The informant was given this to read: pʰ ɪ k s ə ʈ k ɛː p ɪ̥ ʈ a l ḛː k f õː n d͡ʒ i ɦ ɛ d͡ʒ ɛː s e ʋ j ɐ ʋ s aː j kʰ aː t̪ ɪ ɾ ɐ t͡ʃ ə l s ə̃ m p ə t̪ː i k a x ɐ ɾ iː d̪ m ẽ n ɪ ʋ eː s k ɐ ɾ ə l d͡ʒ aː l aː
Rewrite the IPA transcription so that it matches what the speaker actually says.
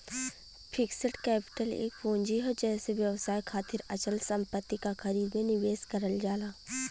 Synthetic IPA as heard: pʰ ɪ k s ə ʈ k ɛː p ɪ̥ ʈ ə l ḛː k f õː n d͡ʒ i ɦ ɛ d͡ʒ ɛː s e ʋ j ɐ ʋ s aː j kʰ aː t̪ ɪ ɾ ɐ t͡ʃ ə l s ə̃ m p ə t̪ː i k a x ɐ ɾ iː d̪ m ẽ n ɪ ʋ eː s k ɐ ɾ ə l d͡ʒ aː l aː

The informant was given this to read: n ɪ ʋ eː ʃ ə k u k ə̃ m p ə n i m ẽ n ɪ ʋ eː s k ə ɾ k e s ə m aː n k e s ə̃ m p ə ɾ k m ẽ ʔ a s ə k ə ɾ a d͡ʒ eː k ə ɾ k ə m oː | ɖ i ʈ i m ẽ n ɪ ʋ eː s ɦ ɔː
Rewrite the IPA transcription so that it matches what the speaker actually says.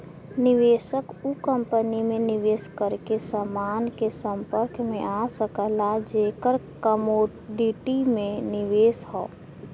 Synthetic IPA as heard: n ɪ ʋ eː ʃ ə k u k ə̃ m p ə n i m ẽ n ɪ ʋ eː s k ə ɾ k e s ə m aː n k e s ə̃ m p ə ɾ k m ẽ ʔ a s ə k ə l a d͡ʒ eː k ə ɾ k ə m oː | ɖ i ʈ i m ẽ n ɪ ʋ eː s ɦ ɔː

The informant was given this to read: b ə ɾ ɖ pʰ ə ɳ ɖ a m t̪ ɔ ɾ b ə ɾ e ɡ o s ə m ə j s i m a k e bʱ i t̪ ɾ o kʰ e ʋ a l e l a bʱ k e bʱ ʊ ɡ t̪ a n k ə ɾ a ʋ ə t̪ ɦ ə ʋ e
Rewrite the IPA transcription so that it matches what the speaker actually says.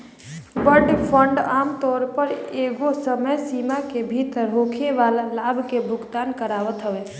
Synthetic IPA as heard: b ə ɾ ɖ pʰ ə ɳ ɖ a m t̪ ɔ ɾ p ə ɾ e ɡ o s ə m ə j s i m a k e bʱ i t̪ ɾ o kʰ e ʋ a l a l a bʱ k e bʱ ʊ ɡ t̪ a n k ə ɾ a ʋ ə t̪ ɦ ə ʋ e

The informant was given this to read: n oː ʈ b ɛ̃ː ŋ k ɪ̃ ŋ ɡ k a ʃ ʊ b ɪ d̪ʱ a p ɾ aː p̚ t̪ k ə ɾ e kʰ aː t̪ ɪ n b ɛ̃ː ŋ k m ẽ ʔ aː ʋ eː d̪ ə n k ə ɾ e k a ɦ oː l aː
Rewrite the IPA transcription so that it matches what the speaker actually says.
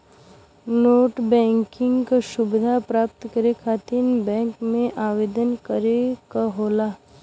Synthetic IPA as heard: n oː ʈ b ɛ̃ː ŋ k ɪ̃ ŋ ɡ k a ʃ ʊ b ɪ d̪ʱ a p ɾ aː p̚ t̪ k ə ɾ e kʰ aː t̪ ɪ n b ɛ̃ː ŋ k m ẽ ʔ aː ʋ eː d̪ ə n k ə ɾ e k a ɦ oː l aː

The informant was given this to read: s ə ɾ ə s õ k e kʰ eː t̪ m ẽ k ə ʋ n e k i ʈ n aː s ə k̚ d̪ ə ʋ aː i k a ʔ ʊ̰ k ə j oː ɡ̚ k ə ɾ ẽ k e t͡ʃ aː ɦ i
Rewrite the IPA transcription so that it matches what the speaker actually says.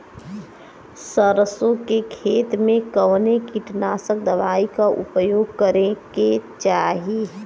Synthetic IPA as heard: s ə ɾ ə s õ k e kʰ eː t̪ m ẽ k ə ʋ n e k i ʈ n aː s ə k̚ d̪ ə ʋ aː i k a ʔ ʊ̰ p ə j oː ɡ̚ k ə ɾ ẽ k e t͡ʃ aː ɦ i

